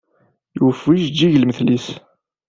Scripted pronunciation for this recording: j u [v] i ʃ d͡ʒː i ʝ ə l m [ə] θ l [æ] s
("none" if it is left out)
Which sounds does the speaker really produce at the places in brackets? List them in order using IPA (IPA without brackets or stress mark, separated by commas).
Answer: f, ə, i